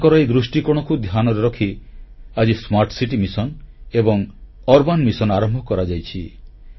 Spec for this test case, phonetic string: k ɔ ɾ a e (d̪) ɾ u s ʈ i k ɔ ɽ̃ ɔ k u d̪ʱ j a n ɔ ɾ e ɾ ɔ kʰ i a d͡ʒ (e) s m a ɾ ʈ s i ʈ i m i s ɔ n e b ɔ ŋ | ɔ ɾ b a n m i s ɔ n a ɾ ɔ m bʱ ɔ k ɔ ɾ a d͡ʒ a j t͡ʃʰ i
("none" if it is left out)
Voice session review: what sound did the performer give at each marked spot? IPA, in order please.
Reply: d̪, i

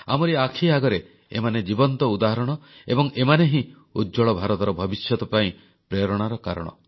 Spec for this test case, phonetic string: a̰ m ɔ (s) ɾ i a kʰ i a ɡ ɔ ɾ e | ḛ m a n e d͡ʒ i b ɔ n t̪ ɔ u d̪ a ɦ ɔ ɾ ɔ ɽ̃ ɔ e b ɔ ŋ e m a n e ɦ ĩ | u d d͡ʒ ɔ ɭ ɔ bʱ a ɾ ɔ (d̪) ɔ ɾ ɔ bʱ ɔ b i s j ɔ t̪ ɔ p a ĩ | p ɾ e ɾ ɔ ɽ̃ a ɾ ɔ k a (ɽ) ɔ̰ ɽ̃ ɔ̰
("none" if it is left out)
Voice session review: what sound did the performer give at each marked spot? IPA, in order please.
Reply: none, t̪, ɾ

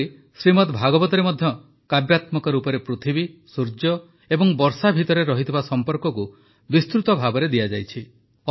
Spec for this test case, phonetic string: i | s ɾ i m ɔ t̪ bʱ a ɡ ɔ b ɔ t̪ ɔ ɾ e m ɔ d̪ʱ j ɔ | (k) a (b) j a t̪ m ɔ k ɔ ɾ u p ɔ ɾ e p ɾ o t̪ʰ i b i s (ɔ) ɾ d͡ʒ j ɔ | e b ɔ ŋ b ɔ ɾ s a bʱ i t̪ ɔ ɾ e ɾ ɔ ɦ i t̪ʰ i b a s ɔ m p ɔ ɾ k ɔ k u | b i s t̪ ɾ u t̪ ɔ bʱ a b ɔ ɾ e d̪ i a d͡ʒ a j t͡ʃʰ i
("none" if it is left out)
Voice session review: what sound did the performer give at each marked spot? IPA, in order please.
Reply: k, b, u

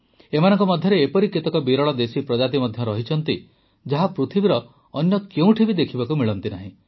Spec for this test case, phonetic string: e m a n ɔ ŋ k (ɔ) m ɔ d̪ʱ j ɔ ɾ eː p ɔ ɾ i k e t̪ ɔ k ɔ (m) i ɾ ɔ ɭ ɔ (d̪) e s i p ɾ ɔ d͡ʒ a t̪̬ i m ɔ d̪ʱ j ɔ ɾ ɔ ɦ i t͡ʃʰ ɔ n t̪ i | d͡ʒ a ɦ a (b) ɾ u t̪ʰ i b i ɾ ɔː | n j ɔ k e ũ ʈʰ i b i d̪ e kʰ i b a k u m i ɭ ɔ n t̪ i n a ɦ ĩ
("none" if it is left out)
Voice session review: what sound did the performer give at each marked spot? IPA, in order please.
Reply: ɔ, b, d̪, p

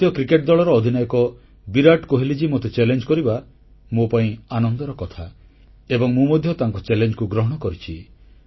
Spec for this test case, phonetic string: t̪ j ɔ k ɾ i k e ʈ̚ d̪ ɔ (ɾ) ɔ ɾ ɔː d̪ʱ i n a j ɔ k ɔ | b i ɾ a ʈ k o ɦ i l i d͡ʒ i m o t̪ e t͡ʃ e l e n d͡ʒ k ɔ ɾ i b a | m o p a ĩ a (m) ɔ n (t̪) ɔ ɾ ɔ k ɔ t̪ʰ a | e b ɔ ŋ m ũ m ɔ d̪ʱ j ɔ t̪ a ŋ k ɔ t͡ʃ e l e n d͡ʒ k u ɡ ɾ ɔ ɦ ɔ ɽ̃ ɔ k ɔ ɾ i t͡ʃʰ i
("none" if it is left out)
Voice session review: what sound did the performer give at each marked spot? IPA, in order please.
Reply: ɭ, n, d̪

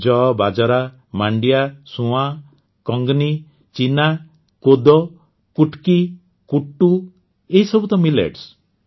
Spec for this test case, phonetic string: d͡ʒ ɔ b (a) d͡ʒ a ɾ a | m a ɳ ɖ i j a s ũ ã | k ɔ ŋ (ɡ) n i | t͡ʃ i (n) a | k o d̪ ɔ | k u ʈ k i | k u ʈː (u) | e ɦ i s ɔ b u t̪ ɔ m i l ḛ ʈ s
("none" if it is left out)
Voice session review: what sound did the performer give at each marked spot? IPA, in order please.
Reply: a, ɡ, n, u

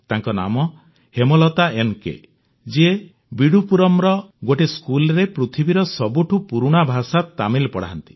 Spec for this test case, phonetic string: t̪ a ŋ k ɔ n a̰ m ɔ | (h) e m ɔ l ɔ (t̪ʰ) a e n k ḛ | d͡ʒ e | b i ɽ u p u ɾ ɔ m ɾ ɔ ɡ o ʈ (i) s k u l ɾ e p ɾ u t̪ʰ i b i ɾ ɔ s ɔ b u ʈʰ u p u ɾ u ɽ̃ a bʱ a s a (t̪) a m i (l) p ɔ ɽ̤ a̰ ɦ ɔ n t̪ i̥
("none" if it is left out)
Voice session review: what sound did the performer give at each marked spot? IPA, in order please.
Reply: h, t̪, e, t̪, l

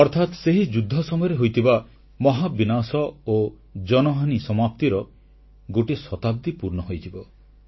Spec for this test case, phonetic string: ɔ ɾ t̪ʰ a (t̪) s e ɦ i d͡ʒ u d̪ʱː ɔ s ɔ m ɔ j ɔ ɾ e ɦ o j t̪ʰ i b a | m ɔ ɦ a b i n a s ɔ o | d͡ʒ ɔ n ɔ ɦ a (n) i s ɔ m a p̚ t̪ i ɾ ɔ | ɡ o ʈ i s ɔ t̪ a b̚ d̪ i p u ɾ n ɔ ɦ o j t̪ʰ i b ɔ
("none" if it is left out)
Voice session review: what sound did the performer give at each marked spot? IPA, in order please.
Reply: t̪, n

